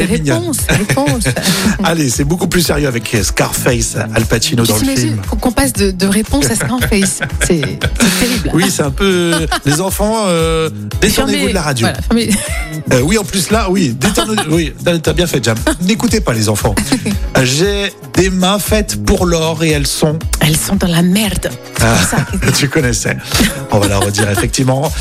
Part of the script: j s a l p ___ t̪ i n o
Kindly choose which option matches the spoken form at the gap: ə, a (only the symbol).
a